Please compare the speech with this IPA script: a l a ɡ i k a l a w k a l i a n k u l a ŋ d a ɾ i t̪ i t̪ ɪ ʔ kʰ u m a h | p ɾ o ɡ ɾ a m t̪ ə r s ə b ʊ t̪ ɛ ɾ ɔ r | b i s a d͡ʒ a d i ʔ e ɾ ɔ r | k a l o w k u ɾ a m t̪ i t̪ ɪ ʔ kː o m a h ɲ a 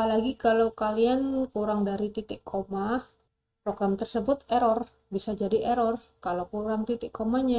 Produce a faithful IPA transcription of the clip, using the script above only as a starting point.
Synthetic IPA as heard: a l a ɡ i k a l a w k a l i a n k u ɾ a ŋ d a ɾ i t̪ i t̪ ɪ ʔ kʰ o m a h | p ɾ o ɡ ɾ a m t̪ ə r s ə b ʊ t̪ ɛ ɾ ɔ r | b i s a d͡ʒ a d i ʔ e ɾ ɔ r | k a l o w k u ɾ a ŋ t̪ i t̪ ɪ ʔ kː o m a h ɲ a